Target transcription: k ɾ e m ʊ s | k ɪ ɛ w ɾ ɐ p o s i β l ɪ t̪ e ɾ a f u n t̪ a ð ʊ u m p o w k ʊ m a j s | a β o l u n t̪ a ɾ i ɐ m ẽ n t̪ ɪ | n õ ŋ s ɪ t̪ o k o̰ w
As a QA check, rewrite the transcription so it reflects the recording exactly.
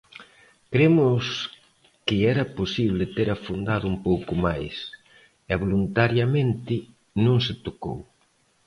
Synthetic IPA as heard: k ɾ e m ʊ s | k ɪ ɛ ɾ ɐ p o s i β l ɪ t̪ e ɾ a f u n d̪ a ð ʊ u m p o w k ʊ m a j s | ɛ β o l u n t̪ a ɾ j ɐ m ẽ n t̪ ɪ | n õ ŋ s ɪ t̪ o k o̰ w